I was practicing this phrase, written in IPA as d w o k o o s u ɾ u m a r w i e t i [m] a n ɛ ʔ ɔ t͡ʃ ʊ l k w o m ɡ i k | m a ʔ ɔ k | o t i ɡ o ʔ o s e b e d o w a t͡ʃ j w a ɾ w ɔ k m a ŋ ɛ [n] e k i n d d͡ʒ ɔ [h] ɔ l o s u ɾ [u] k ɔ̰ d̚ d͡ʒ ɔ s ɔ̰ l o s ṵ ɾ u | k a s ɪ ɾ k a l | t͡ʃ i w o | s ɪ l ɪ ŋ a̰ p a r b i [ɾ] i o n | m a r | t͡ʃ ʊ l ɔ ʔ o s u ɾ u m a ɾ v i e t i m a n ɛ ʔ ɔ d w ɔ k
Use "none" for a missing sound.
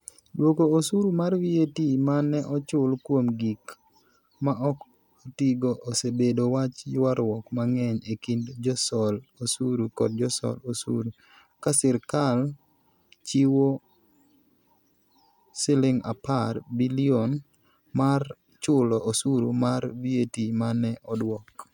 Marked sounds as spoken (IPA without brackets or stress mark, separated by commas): m, ɲ, s, u, l